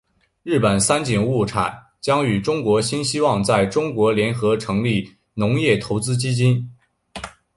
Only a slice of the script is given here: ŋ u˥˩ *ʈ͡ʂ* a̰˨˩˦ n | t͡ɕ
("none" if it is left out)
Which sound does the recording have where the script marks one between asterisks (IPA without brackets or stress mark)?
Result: ʈ͡ʂʰ